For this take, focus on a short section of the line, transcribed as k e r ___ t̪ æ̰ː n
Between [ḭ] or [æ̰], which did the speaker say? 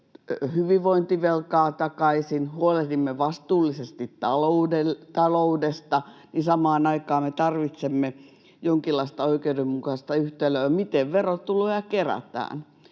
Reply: æ̰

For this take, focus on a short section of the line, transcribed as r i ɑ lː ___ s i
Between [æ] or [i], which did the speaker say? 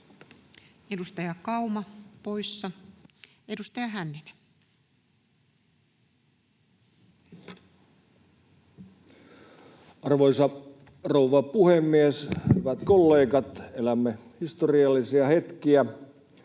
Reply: i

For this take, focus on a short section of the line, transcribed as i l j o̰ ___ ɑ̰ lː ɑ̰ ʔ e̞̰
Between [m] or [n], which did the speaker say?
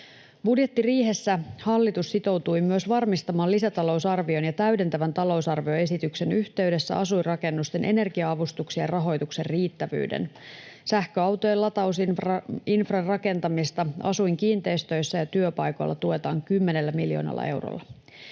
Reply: n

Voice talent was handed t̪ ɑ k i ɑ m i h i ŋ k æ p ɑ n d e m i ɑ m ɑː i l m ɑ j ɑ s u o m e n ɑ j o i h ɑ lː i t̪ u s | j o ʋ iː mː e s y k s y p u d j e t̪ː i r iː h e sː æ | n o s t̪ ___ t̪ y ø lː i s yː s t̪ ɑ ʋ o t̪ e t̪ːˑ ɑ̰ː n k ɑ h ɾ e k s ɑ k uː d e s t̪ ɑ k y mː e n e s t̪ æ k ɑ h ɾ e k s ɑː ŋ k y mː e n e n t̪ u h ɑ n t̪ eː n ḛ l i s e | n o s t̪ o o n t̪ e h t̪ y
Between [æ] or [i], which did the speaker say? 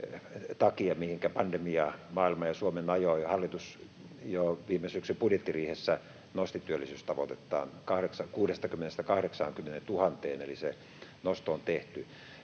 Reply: i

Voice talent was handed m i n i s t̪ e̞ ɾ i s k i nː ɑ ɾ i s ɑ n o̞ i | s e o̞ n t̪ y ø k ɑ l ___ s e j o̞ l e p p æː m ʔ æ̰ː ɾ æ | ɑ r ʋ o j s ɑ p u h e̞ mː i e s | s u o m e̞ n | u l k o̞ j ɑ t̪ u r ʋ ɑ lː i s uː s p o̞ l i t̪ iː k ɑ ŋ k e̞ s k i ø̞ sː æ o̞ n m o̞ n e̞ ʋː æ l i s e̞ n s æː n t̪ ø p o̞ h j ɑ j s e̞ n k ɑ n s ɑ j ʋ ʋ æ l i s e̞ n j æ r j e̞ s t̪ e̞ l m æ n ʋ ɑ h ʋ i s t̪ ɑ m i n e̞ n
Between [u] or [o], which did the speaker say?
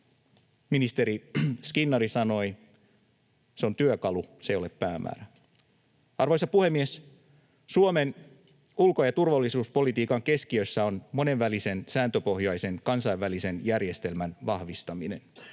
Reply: u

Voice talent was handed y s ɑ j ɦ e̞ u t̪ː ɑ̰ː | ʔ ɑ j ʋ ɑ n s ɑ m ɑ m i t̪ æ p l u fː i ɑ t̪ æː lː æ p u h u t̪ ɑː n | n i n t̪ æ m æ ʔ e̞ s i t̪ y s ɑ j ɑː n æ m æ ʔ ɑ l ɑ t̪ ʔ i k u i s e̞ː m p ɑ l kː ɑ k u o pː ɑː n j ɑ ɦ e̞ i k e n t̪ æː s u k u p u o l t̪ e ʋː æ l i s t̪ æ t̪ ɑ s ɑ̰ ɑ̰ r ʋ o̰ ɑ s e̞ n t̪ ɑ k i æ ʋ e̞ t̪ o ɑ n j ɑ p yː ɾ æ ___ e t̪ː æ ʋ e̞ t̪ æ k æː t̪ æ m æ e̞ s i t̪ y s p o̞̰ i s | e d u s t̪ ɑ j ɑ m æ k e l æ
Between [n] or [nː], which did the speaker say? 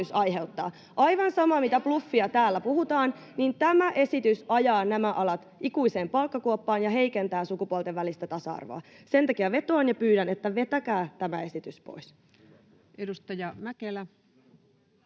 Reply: n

